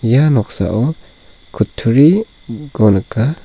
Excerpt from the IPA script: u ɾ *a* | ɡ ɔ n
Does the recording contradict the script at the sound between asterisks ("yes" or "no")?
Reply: yes